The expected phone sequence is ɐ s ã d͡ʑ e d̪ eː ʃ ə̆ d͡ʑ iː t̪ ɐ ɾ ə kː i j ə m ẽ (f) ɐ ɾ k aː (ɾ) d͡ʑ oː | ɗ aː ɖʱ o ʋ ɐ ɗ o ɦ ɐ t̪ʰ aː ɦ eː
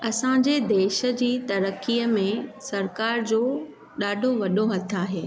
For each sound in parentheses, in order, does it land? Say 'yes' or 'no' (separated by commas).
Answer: no, yes